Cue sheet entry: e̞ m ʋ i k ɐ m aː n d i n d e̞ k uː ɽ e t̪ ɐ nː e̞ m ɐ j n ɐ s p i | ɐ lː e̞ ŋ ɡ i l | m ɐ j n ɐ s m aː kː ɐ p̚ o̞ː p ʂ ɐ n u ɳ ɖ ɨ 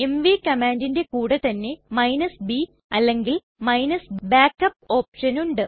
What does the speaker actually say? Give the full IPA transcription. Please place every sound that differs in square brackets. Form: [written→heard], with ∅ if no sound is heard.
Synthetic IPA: e̞ m ʋ i k ɐ m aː n d i n d e̞ k uː ɽ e t̪ ɐ nː e̞ m ɐ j n ɐ s [p→b] i | ɐ lː e̞ ŋ ɡ i l | m ɐ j n ɐ s [m→b] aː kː ɐ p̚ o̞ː p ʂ ɐ n u ɳ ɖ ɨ

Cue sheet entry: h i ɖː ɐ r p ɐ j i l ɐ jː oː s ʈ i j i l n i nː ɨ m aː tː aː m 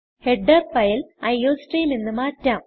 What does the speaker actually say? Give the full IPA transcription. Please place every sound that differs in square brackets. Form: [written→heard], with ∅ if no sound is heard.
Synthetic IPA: h [i→e] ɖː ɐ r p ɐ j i l ɐ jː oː s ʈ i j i l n i nː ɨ m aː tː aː m

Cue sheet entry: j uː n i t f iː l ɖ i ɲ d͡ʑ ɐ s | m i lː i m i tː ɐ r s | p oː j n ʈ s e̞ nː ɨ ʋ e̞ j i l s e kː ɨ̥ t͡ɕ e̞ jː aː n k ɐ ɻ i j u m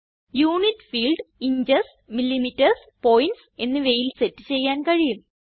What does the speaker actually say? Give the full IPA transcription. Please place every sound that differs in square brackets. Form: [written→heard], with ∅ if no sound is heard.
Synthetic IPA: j uː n i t f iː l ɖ i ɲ d͡ʑ ɐ s | m i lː i m i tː ɐ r s | p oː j n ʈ s e̞ nː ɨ ʋ e̞ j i l s e [kː→tː] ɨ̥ t͡ɕ e̞ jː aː n k ɐ ɻ i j u m

